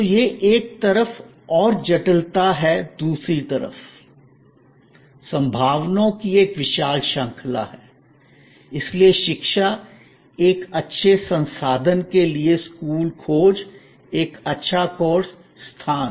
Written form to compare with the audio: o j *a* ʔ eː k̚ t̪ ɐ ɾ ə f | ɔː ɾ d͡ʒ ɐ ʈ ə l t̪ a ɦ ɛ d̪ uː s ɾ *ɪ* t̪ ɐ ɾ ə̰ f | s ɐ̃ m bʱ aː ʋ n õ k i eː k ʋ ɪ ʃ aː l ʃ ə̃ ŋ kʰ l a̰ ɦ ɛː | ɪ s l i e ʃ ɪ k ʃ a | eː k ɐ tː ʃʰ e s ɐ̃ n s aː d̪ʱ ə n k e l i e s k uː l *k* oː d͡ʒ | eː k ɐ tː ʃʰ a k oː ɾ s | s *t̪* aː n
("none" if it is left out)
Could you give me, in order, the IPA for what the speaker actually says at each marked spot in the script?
e, i, kʰ, t̪ʰ

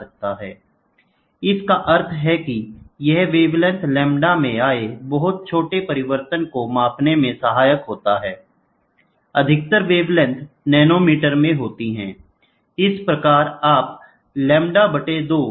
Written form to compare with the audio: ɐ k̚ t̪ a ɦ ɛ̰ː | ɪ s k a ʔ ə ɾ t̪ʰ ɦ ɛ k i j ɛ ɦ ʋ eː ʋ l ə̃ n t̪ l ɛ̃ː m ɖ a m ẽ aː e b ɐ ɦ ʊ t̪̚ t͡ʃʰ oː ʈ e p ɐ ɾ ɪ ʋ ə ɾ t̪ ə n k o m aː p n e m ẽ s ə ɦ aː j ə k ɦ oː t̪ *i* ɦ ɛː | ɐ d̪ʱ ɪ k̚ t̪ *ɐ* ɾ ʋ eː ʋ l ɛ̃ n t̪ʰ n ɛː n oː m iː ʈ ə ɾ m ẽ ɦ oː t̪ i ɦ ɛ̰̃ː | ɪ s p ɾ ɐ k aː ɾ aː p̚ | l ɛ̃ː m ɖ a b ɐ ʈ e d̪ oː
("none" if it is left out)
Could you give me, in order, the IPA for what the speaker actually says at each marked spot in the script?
a, ə

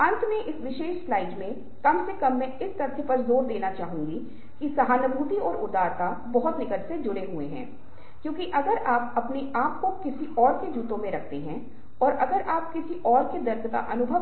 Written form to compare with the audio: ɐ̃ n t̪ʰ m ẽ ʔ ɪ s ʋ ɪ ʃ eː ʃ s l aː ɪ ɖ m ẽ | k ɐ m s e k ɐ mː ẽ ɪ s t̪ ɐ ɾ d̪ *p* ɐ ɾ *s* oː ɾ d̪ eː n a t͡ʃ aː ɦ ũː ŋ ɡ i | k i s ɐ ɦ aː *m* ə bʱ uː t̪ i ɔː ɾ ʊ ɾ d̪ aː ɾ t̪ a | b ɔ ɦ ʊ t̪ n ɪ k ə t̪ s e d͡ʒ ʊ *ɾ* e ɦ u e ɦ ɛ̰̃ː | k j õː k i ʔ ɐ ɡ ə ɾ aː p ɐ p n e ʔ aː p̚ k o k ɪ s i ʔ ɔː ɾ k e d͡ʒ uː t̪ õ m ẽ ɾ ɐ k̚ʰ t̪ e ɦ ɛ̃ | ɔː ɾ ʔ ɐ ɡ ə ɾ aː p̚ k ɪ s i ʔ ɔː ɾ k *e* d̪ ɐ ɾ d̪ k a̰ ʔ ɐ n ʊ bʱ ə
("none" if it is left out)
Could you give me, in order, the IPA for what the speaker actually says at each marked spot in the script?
p, z, n, ɽ, e

